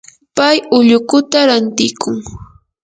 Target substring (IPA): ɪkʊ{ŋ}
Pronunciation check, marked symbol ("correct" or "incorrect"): correct